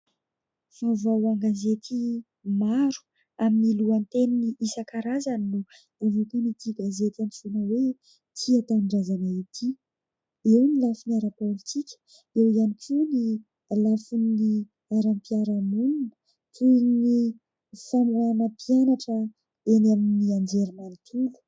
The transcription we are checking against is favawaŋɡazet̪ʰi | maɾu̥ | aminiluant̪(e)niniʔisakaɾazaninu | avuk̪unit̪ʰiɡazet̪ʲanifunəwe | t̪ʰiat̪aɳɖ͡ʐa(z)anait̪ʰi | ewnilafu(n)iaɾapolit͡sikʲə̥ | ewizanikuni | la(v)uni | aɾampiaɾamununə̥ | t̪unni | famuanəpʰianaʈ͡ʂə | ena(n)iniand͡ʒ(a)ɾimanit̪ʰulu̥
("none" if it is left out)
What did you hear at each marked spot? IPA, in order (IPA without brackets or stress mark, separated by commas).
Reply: e, z, n, f, m, e